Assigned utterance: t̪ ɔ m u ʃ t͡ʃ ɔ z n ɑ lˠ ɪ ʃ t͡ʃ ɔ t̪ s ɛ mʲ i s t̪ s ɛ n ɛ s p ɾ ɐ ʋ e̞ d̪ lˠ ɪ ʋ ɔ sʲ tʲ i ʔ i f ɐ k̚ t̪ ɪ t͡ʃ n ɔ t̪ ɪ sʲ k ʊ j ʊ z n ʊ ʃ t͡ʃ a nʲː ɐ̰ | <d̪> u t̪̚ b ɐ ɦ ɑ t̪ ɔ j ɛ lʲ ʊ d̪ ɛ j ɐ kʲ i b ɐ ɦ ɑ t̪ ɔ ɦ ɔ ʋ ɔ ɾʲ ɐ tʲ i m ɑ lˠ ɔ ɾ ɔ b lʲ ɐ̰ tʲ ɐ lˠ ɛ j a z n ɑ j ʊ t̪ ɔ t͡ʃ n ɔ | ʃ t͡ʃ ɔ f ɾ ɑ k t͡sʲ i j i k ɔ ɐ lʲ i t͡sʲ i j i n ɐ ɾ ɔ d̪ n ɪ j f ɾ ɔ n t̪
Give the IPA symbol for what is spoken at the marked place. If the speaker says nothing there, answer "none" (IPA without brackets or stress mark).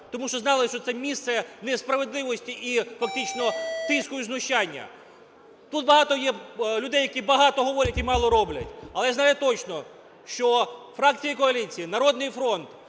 t̪